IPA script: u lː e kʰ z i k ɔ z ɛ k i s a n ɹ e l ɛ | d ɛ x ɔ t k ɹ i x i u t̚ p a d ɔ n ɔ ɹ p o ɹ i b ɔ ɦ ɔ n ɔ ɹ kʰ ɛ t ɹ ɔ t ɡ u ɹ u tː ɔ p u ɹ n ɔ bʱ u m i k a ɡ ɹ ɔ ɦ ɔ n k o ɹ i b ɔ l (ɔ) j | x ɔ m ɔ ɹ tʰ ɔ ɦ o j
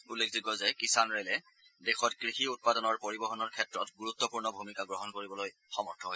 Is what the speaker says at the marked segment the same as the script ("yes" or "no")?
no